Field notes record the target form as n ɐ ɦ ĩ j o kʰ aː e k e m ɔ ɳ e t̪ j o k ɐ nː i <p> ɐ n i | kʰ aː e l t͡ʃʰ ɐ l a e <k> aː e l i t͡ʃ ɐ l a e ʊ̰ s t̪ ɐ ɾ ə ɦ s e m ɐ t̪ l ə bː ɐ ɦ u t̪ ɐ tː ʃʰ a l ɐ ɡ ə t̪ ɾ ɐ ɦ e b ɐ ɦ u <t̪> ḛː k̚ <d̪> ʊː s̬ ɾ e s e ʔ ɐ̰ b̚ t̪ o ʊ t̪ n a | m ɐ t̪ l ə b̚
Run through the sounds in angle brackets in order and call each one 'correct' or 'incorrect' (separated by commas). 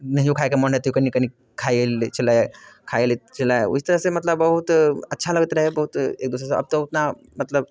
incorrect, incorrect, correct, correct